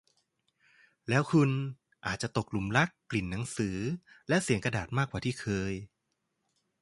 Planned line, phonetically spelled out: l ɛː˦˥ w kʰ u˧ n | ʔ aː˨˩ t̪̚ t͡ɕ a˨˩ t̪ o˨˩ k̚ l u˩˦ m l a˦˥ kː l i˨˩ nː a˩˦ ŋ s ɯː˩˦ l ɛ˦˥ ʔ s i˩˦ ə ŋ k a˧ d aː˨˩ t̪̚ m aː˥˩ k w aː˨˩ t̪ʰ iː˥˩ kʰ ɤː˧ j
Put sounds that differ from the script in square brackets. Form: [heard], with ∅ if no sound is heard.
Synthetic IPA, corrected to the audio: l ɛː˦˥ w kʰ u˧ n | ʔ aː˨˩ t̪̚ t͡ɕ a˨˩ t̪ o˨˩ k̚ l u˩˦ m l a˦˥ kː l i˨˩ nː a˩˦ ŋ s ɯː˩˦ l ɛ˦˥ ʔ s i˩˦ ə ŋ k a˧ d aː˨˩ t̪̚ m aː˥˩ k w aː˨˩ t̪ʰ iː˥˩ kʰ ɤː˧ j